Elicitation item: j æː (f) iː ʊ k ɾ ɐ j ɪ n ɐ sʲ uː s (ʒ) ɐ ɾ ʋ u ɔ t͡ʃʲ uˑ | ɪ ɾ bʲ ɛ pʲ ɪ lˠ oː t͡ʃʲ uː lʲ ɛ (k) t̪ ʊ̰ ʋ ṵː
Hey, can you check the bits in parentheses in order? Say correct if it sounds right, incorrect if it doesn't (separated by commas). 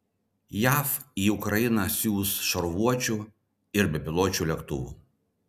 correct, incorrect, correct